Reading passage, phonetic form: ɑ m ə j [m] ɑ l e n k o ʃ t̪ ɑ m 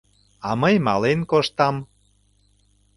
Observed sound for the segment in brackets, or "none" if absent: m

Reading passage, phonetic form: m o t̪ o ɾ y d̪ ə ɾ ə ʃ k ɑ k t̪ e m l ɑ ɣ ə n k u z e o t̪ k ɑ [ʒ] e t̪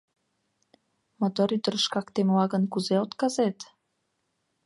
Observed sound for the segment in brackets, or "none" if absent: z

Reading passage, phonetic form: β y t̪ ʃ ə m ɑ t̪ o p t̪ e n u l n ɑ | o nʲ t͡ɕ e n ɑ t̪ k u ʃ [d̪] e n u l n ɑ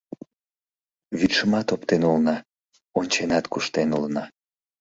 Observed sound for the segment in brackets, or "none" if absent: t̪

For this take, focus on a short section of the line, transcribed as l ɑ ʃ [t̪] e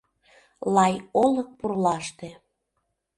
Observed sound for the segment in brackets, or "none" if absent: t̪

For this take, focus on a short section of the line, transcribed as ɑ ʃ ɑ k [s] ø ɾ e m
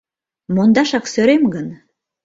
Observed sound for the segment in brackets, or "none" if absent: s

